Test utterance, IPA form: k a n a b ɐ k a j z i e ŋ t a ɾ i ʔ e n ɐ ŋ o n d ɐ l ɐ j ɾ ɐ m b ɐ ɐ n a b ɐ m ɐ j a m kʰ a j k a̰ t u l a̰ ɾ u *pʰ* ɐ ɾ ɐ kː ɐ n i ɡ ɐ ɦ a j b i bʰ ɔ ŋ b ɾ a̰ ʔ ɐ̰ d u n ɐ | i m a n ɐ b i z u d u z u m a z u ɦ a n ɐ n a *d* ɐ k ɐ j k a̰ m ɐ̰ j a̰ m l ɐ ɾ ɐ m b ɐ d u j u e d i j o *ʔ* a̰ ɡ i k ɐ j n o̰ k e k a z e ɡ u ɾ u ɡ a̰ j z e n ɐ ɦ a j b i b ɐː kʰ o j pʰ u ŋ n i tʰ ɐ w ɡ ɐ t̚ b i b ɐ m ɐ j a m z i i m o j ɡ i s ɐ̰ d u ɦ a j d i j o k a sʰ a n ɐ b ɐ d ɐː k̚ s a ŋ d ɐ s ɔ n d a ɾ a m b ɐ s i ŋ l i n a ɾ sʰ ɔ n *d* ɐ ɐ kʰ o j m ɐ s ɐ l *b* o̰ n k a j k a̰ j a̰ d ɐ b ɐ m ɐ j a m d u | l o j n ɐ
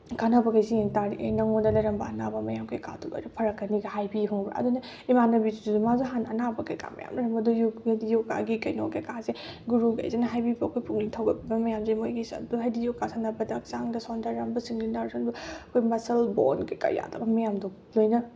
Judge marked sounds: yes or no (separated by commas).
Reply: yes, no, no, no, yes